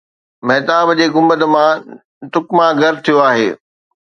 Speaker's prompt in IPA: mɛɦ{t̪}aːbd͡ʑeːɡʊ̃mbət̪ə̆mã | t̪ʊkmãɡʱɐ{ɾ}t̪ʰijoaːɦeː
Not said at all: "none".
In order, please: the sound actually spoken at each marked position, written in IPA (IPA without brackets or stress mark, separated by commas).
t̪, ɾ